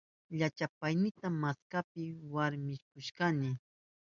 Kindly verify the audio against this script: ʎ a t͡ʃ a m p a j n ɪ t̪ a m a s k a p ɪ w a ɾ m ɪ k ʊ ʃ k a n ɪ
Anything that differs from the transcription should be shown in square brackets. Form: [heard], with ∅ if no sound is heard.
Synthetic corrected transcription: ʎ a t͡ʃ a [∅] p a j n ɪ t̪ a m a s k a p ɪ w a ɾ m ɪ k ʊ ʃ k a n ɪ

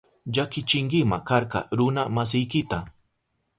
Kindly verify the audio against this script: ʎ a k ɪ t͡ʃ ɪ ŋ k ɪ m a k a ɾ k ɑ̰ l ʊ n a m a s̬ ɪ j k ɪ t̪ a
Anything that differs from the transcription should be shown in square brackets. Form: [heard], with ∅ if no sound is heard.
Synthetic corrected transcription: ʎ a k ɪ t͡ʃ ɪ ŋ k ɪ m a k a ɾ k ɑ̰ [ɾ] ʊ n a m a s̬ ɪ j k ɪ t̪ a

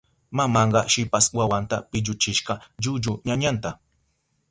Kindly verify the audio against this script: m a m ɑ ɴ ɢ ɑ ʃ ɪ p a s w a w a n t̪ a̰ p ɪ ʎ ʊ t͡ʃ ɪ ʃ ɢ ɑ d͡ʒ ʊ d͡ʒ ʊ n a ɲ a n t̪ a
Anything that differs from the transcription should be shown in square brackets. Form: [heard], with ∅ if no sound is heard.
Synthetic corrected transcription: m a m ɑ ɴ ɢ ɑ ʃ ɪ p a s w a w a n t̪ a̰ p ɪ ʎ ʊ t͡ʃ ɪ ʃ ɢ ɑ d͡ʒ ʊ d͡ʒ ʊ [ɲ] a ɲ a n t̪ a

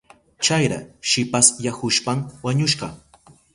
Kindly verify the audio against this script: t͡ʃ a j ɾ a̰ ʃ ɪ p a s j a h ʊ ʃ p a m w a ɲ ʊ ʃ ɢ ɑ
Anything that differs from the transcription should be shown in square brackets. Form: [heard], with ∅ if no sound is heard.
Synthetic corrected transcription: t͡ʃ a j ɾ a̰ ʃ ɪ p a s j a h ʊ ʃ p a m w a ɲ ʊ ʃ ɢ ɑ

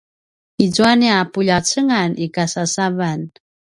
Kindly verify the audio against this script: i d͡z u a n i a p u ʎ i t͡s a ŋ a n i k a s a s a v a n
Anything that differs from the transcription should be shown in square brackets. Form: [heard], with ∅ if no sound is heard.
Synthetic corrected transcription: i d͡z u a n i a p u ʎ [a] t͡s [ə] ŋ a n i k a s a s a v a n

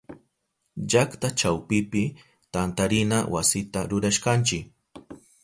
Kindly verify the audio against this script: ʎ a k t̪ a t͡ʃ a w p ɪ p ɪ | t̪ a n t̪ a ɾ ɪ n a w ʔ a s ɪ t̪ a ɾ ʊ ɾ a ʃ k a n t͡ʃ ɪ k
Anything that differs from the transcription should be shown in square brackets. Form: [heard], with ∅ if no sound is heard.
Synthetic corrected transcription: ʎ a k t̪ a t͡ʃ a w p ɪ p ɪ | t̪ a n t̪ a ɾ ɪ n a w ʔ a s ɪ t̪ a ɾ ʊ ɾ a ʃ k a n t͡ʃ ɪ k

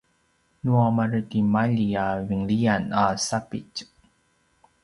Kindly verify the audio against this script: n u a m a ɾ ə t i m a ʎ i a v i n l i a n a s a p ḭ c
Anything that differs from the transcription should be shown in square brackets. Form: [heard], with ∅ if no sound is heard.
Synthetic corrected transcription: n u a m a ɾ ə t i m a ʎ i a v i [ŋ] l i a n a s a p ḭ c

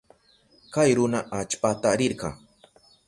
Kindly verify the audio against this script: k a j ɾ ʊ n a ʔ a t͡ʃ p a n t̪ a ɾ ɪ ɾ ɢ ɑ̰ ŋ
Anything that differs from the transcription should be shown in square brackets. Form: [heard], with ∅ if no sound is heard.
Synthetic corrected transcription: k a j ɾ ʊ n a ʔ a t͡ʃ p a [∅] t̪ a ɾ ɪ ɾ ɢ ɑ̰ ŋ

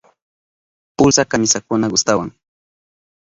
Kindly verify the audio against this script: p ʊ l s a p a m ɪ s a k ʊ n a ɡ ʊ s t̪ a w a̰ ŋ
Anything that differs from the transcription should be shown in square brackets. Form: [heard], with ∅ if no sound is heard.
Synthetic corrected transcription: p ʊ l s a [k] a m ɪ s a k ʊ n a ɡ ʊ s t̪ a w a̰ ŋ

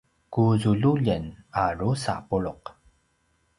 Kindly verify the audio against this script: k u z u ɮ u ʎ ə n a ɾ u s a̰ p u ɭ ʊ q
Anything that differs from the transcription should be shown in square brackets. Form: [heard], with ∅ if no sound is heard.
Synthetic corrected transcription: k u z u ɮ u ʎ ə n a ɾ u s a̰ p u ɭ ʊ q

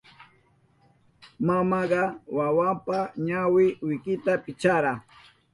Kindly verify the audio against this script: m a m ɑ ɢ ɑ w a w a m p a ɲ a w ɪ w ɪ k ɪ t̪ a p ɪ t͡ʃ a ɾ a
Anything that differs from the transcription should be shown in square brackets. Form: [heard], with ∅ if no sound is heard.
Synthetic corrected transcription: m a m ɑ ɢ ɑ w a w a m p a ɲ a w ɪ w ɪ k ɪ t̪ a p ɪ t͡ʃ a ɾ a

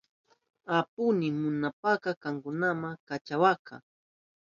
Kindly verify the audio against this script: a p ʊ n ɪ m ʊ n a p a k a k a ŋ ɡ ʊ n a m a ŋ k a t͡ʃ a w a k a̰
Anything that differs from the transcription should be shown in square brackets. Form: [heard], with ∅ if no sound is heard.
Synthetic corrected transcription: a p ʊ n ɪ m ʊ n a p a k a k a ŋ [k] ʊ n a m a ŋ k a t͡ʃ a w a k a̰

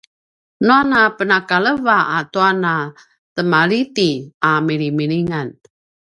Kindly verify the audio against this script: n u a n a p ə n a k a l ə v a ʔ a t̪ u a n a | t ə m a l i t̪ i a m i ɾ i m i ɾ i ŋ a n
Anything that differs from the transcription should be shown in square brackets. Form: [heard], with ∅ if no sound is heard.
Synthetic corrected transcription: n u a n a p ə n a k a l ə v a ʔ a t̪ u a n a | t ə m a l i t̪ i a m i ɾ i m i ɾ i ŋ a n

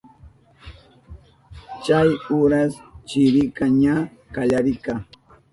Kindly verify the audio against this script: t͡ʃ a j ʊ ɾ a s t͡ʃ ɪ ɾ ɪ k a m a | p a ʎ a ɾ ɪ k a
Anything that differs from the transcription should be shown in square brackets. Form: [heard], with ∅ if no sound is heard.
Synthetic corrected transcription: t͡ʃ a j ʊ ɾ a s t͡ʃ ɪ ɾ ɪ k a [ɲ] a | [k] a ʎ a ɾ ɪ k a

